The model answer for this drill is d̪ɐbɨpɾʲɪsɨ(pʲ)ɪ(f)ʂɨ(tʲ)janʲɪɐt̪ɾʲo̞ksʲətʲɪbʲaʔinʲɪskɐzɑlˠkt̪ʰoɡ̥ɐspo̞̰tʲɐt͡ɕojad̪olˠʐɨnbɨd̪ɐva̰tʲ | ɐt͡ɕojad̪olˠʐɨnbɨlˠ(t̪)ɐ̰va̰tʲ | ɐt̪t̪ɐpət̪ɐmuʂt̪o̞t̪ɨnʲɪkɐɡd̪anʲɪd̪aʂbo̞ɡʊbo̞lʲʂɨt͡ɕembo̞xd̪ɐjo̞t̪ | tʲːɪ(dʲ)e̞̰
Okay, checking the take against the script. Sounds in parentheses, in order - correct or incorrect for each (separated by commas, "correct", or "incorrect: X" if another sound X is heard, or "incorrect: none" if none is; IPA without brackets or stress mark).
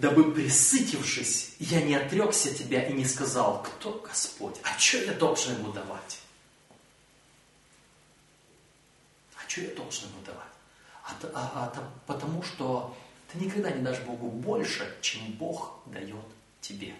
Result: incorrect: tʲ, correct, incorrect: sʲ, incorrect: d̪, incorrect: bʲ